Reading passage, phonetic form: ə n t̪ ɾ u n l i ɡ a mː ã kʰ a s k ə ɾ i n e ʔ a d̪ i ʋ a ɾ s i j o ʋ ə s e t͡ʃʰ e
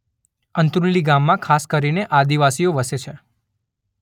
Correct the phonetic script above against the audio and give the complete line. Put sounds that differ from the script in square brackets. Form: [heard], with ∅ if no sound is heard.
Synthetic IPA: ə n t̪ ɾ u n l i ɡ a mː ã kʰ a s k ə ɾ i n e ʔ a d̪ i ʋ a [∅] s i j o ʋ ə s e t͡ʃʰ e